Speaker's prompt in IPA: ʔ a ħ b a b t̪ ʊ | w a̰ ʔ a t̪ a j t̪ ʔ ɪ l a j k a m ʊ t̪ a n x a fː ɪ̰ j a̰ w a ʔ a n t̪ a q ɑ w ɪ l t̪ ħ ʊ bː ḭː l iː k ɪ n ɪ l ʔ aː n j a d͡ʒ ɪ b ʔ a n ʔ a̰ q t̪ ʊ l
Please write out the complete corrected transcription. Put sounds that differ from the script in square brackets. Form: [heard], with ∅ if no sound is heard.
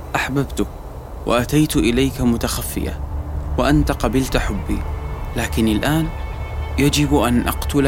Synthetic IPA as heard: ʔ a ħ b a b t̪ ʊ | w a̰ ʔ a t̪ a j t̪ ʔ ɪ l a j k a m ʊ t̪ a [∅] x a fː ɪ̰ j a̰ w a ʔ a n t̪ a q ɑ [b] ɪ l t̪ ħ ʊ bː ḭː l [aː] k ɪ n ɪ l ʔ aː n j a d͡ʒ ɪ b ʔ a n ʔ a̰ q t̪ ʊ l